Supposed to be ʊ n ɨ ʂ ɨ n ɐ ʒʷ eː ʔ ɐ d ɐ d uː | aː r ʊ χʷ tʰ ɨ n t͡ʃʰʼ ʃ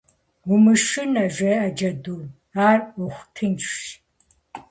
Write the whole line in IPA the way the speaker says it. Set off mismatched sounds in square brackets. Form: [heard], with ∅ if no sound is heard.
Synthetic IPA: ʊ [m] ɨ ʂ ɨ n ɐ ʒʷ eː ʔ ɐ [d͡ʒ] ɐ d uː | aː r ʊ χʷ tʰ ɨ n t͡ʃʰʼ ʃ